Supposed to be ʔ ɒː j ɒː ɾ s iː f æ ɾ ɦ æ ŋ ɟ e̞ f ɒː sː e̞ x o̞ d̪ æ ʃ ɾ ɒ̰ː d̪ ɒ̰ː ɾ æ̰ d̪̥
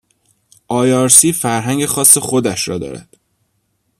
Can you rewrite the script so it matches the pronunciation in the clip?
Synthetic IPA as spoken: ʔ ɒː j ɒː ɾ s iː f æ ɾ ɦ æ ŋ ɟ e̞ x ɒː sː e̞ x o̞ d̪ æ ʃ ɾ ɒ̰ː d̪ ɒ̰ː ɾ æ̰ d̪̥